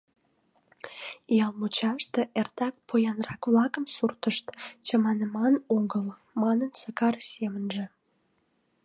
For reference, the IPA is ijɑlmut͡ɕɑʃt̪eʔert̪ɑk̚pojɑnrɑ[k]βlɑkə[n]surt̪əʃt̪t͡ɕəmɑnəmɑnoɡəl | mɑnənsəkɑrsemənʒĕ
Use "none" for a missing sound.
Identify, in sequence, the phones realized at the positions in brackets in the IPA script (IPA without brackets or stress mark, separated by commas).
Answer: k, m